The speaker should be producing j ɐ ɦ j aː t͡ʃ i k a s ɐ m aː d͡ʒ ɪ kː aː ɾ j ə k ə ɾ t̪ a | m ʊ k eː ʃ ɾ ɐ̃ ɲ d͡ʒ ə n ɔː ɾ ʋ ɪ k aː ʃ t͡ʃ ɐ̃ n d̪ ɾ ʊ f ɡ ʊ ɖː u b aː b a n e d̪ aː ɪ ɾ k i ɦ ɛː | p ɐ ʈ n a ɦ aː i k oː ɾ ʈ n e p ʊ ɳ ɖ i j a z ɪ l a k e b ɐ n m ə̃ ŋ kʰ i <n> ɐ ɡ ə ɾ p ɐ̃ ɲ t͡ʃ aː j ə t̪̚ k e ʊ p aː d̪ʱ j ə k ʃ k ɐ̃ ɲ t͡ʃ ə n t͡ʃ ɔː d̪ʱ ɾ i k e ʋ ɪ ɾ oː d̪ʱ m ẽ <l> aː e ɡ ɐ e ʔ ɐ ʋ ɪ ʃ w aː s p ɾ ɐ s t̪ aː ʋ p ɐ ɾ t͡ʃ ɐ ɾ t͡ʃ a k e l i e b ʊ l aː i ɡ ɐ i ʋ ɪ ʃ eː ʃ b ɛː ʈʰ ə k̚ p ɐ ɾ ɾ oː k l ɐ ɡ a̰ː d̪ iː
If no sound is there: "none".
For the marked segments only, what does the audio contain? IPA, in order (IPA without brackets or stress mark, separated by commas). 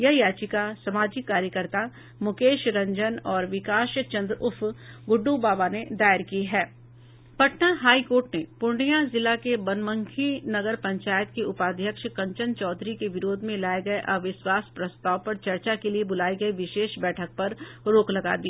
n, l